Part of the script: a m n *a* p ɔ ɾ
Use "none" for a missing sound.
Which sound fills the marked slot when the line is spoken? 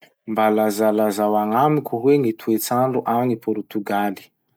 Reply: i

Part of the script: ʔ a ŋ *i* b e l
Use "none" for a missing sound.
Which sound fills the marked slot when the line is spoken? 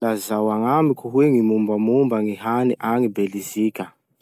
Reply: i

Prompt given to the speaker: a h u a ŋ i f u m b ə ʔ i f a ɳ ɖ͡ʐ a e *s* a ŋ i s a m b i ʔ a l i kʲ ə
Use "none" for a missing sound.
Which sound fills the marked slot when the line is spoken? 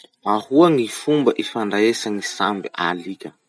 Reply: s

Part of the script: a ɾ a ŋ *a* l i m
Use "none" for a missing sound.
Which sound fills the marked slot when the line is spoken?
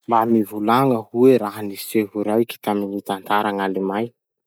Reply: a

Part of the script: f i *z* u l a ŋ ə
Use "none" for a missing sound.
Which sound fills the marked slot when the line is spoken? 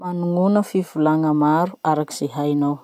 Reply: v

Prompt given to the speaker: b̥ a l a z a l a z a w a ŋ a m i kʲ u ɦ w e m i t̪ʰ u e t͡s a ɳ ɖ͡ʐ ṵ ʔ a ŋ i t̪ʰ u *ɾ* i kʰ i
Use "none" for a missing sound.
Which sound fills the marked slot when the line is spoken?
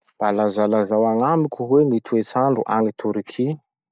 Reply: ɾ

